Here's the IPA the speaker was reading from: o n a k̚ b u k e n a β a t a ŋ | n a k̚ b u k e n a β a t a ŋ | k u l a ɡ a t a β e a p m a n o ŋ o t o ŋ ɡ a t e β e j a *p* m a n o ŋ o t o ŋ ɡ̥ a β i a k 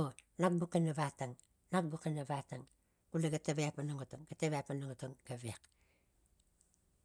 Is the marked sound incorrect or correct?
correct